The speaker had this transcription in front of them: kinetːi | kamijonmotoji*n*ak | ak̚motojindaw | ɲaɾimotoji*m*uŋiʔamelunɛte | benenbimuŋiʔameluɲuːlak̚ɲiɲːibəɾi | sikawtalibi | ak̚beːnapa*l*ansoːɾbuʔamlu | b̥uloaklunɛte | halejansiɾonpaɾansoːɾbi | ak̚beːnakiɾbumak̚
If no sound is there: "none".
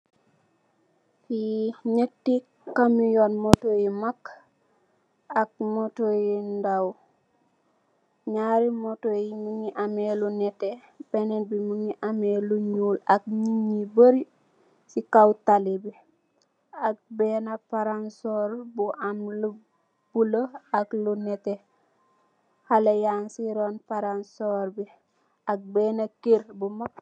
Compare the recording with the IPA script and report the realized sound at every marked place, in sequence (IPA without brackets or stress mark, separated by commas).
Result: m, m, ɾ